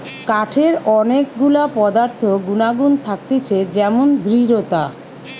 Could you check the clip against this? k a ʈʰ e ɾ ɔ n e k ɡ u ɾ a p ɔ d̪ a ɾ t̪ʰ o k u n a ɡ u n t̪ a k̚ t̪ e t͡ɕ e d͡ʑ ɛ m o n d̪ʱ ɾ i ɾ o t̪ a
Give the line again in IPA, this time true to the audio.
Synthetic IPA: k a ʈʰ e ɾ ɔ n e k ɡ u l a p ɔ d̪ a ɾ t̪ʰ o ɡ u n a ɡ u n t̪ʰ a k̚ t̪ e t͡ɕʰ e d͡ʑ ɛ m o n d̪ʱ ɾ i ɾ o t̪ a